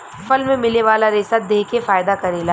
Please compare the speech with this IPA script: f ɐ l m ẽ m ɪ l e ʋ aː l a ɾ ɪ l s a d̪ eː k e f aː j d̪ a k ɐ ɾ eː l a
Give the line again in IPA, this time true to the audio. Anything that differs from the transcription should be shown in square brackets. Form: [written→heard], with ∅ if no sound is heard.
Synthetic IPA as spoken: f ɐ l m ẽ m ɪ l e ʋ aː l a ɾ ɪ [l→∅] s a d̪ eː k e f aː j d̪ a k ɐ ɾ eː l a